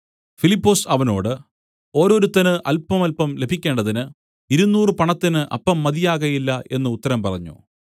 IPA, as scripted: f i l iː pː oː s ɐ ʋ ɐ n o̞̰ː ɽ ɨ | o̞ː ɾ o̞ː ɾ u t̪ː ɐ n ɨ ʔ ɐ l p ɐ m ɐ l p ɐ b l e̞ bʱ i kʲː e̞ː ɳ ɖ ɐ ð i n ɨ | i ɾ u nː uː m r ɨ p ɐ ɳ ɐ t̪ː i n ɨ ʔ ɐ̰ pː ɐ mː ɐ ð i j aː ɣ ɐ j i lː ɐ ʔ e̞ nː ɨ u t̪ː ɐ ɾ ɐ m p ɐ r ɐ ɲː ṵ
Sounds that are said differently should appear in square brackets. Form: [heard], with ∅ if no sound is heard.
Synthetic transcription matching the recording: f i l [i] pː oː s ɐ ʋ ɐ n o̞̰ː ɽ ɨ | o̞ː ɾ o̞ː ɾ u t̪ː ɐ n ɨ ʔ ɐ l p ɐ m ɐ l p ɐ [m] l e̞ bʱ i kʲː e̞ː ɳ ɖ ɐ ð i n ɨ | i ɾ u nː uː [∅] r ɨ p ɐ ɳ ɐ t̪ː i n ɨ ʔ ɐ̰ pː ɐ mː ɐ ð i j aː ɣ ɐ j i lː ɐ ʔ e̞ nː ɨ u t̪ː ɐ ɾ ɐ m p ɐ r ɐ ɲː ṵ